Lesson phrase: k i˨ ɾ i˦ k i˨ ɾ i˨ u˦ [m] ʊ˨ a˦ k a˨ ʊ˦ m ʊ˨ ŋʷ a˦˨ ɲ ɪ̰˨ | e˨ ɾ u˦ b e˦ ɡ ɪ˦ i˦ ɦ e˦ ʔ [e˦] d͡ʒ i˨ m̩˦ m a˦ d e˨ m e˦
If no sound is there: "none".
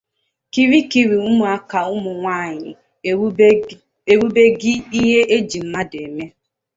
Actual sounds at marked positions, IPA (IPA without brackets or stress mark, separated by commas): m, e˦